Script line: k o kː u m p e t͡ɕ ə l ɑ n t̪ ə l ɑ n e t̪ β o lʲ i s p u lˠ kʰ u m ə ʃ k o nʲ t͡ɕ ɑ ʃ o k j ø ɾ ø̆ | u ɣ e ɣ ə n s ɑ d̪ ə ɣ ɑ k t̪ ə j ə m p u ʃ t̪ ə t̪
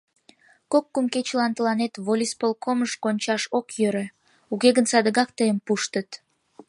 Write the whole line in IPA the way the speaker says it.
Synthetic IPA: k o kː u m k e t͡ɕ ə l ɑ n t̪ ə l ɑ n e t̪ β o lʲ i s p o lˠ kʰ o m ə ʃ k o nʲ t͡ɕ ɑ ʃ o k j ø ɾ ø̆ | u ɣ e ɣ ə n s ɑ d̪ ə ɣ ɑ k t̪ ə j ə m p u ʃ t̪ ə t̪